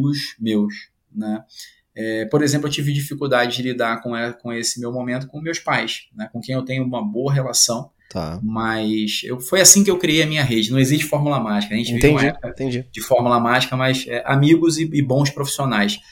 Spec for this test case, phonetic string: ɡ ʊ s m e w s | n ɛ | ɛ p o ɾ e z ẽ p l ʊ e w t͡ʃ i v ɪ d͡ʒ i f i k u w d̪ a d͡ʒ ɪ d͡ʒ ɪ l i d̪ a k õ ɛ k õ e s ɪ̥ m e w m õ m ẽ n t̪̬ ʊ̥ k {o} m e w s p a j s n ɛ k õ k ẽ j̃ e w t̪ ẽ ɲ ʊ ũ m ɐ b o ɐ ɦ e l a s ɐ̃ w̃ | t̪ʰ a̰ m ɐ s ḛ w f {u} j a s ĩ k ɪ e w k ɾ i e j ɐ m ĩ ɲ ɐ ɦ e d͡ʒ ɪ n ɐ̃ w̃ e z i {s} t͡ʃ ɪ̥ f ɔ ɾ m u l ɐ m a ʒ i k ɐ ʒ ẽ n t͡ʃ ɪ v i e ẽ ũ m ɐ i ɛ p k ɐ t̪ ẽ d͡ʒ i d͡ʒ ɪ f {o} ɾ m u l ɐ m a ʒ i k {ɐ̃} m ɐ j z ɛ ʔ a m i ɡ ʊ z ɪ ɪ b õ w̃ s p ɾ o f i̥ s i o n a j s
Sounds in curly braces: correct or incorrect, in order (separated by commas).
incorrect, incorrect, incorrect, incorrect, incorrect